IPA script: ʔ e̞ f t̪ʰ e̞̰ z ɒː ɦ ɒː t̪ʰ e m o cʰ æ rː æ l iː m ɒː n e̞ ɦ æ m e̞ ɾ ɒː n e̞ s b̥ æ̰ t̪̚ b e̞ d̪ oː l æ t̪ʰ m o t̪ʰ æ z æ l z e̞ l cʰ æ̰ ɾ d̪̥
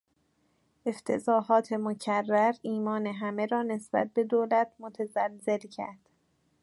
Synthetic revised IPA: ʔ e̞ f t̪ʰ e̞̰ z ɒː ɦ ɒː t̪ʰ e m o cʰ æ rː æ ɾ iː m ɒː n e̞ ɦ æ m e̞ ɾ ɒː n e̞ s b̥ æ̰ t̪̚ b e̞ d̪ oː l æ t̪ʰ m o t̪ʰ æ z æ l z e̞ l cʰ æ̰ ɾ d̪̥

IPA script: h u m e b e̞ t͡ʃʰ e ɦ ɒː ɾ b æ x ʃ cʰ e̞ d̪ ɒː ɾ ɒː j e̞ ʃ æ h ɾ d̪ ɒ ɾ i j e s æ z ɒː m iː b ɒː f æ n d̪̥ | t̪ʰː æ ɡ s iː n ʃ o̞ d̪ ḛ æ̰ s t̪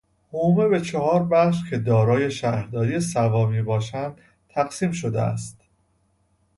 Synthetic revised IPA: h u m e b e̞ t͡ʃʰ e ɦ ɒː ɾ b æ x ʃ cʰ e̞ d̪ ɒː ɾ ɒː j e̞ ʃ æ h ɾ d̪ ɒː ɾ i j e s æ v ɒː m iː b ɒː ʃ æ n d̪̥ | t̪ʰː æ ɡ s iː m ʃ o̞ d̪ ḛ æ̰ s t̪

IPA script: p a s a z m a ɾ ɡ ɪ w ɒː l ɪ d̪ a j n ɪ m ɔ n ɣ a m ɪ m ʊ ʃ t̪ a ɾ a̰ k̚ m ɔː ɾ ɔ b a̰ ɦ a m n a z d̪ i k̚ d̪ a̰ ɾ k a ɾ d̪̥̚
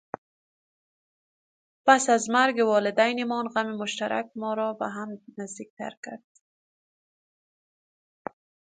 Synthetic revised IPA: p a s a z m a ɾ ɡ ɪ w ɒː l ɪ d̪ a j n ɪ m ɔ n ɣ a m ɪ m ʊ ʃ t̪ a ɾ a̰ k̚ m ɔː ɾ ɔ b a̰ ɦ a m n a z d̪ i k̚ t̪ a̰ ɾ k a ɾ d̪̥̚

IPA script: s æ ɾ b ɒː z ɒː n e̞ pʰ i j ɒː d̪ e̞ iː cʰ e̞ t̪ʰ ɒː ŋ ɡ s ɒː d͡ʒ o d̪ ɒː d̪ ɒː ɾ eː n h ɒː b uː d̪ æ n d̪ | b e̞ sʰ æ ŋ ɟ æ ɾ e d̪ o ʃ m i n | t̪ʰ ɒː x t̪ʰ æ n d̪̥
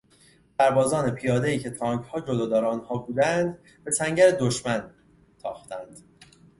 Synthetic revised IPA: s æ ɾ b ɒː z ɒː n e̞ pʰ i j ɒː d̪ e̞ iː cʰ e̞ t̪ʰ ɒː ŋ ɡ h ɒː d͡ʒ o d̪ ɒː d̪ ɒː ɾ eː n h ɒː b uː d̪ æ n d̪ | b e̞ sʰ æ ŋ ɟ æ ɾ e d̪ o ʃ m æ n | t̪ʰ ɒː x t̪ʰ æ n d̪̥

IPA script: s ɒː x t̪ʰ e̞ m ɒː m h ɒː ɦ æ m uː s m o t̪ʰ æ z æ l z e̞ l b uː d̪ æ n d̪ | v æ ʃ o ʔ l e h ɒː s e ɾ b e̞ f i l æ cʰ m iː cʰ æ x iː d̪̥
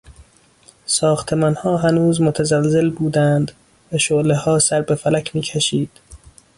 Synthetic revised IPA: s ɒː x t̪ʰ e̞ m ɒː n h ɒː ɦ æ n uː z m o t̪ʰ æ z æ l z e̞ l b uː d̪ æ n d̪ | v æ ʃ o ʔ l e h ɒː s æ ɾ b e̞ f æ l æ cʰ m iː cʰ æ ʃ iː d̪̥

